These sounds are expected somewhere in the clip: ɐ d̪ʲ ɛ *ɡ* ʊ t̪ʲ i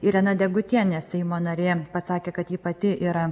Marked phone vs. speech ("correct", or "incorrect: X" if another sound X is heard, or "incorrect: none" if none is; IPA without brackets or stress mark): correct